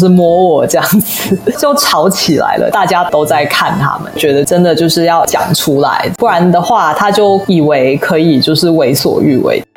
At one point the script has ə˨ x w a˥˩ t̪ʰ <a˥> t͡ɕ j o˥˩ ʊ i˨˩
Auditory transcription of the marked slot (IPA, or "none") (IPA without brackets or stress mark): a˥